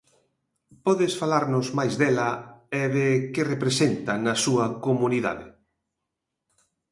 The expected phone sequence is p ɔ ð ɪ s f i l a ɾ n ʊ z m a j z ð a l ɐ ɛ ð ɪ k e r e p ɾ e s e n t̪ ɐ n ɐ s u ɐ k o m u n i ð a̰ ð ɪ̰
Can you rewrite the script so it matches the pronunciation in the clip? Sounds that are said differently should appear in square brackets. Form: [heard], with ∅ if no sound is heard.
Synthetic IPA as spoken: p ɔ ð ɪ s f [a] l a ɾ n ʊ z m a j z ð [ɛ] l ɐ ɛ ð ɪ k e r e p ɾ e s e n t̪ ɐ n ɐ s u ɐ k o m u n i ð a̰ ð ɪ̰